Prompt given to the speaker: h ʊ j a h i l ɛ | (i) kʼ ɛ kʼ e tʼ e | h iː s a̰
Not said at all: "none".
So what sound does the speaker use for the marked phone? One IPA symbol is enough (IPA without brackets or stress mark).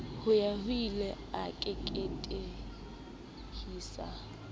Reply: a